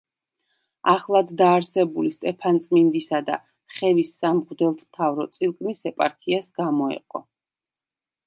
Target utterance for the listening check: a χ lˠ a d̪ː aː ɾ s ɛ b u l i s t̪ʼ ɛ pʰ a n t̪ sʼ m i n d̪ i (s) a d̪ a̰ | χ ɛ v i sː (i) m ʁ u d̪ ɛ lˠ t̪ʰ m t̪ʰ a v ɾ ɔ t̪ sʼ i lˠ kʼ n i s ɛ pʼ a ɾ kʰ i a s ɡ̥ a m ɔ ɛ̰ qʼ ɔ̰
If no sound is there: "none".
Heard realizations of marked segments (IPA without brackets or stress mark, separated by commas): s, a